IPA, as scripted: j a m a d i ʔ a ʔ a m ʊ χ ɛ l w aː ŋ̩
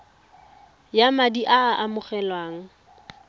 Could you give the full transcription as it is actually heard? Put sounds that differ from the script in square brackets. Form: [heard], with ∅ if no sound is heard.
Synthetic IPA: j a m a d i ʔ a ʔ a m ʊ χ ɛ l w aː ŋ̩